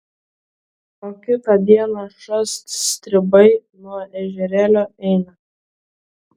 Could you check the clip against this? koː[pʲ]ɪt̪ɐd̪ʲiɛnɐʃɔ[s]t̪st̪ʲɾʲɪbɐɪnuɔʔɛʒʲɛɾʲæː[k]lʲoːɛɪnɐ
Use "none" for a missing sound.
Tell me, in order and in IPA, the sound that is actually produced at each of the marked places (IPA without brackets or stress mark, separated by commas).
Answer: kʲ, s, none